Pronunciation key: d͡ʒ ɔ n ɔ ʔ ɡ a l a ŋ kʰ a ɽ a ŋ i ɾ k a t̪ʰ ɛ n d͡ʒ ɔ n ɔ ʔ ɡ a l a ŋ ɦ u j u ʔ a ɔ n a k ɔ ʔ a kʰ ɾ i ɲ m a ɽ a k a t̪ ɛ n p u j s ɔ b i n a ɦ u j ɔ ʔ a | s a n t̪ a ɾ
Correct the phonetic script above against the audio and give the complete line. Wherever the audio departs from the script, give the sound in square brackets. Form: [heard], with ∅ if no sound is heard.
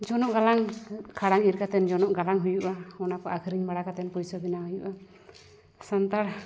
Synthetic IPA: d͡ʒ ɔ n ɔ ʔ ɡ a l a ŋ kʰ a ɽ a ŋ i ɾ k a [t̪] ɛ n d͡ʒ ɔ n ɔ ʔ ɡ a l a ŋ ɦ u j u ʔ a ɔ n a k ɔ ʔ a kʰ ɾ i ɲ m a ɽ a k a t̪ ɛ n p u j s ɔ b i n a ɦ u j [u] ʔ a | s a n t̪ a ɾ